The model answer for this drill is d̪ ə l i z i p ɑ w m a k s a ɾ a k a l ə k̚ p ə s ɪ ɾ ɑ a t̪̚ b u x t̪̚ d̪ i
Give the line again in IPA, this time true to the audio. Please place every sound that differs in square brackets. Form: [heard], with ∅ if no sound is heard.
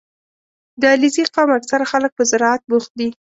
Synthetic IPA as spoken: d̪ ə l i z i [q] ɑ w m a k s a ɾ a [x] a l ə k̚ p ə [z] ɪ ɾ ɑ a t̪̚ b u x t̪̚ d̪ i

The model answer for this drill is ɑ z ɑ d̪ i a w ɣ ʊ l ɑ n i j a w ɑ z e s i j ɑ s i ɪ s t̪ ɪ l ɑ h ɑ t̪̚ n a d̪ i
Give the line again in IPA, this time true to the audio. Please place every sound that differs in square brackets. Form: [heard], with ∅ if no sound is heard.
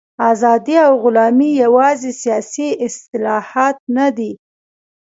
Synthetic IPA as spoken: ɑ z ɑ d̪ i a w ɣ ʊ l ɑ [m] i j a w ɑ z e s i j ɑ s i ɪ s t̪ ɪ l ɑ h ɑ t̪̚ n a d̪ i

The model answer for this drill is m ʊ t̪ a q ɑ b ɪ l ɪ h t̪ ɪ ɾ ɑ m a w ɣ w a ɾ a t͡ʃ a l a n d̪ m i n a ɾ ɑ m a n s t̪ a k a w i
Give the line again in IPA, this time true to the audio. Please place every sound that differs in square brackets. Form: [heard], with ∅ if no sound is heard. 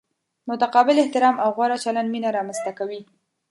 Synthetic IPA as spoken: m ʊ t̪ a q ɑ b ɪ l ɪ h t̪ ɪ ɾ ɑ m a w ɣ w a ɾ a t͡ʃ a l a n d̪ m i n a ɾ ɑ m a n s t̪ a k a w i

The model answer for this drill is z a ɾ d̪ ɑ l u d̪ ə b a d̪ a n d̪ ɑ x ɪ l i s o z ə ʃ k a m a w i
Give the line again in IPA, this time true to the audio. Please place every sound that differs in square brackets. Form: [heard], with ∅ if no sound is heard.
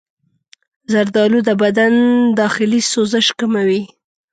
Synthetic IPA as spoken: z a ɾ d̪ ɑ l u d̪ ə b a d̪ a n d̪ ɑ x ɪ l i s o z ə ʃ k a m a w i

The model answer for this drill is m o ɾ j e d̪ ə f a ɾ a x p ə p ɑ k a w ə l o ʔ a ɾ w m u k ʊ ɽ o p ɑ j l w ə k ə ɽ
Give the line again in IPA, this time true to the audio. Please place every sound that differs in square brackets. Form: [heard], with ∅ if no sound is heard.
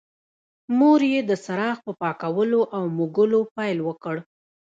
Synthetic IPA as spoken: m o ɾ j e d̪ ə [s] a ɾ [ɑ] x p ə p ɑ k a w ə l o ʔ a [∅] w m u [ɡ] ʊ [l] o p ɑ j l w ə k ə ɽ

